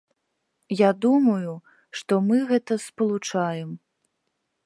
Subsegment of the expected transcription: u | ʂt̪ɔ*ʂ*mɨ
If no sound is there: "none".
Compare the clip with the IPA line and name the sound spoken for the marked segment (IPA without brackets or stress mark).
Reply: none